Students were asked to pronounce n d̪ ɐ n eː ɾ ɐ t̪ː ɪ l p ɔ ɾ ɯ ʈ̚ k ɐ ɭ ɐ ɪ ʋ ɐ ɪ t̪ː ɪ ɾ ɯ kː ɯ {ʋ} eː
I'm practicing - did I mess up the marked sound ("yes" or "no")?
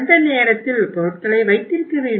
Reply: no